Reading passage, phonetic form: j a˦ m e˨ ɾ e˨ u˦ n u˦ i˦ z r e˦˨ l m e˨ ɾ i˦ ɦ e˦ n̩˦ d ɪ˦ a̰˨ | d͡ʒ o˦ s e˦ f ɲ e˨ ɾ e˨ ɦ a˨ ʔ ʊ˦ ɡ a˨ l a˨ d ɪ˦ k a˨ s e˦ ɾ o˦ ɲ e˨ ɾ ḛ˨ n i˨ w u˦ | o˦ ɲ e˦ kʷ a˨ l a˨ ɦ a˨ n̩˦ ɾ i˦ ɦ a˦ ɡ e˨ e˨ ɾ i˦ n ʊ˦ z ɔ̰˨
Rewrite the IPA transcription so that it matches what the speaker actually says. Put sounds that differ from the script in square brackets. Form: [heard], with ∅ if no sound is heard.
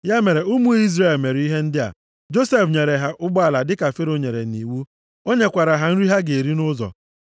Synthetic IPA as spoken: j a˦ m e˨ ɾ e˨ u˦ [m] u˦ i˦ z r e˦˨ l m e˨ ɾ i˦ ɦ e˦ n̩˦ d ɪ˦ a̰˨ | d͡ʒ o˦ s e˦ f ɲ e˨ ɾ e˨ ɦ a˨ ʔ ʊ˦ [ɡ͡b] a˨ l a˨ d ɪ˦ k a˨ [f] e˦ ɾ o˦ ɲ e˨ ɾ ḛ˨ n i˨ w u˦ | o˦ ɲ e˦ kʷ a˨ [ɾ] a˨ ɦ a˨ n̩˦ ɾ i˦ ɦ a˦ ɡ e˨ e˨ ɾ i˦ n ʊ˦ z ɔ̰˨